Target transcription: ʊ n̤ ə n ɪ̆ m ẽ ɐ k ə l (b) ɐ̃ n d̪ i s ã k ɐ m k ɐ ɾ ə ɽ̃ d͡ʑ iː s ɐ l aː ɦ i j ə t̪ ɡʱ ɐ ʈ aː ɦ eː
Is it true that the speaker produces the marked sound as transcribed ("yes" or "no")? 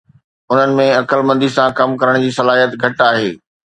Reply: no